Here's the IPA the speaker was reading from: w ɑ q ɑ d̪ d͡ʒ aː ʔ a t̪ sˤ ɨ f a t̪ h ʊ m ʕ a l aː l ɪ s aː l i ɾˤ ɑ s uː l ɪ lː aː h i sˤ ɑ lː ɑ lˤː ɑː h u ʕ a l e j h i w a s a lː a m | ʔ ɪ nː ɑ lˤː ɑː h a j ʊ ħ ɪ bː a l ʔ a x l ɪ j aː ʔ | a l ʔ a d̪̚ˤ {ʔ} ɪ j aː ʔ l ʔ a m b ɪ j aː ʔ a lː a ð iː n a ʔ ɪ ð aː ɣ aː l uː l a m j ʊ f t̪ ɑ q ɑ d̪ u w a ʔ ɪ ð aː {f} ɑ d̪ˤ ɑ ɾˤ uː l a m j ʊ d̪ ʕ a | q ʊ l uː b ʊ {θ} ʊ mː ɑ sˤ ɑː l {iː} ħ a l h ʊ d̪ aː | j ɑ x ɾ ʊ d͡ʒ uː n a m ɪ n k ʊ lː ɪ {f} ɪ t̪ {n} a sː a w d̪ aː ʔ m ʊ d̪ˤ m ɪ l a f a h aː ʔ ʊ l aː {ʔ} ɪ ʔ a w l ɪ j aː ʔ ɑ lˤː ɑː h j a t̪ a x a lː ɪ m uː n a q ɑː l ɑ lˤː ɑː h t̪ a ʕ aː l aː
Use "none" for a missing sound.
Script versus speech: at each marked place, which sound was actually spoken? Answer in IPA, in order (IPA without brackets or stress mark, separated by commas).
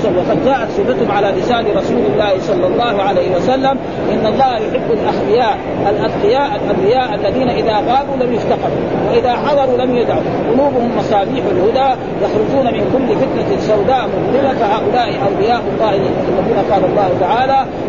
q, ħ, h, iː, f, n, ʔ